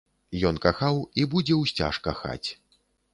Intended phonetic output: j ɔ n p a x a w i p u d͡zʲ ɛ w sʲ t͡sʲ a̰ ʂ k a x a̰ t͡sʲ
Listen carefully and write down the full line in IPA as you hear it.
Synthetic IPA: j ɔ n k a x a w i b u d͡zʲ ɛ w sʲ t͡sʲ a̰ ʂ k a x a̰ t͡sʲ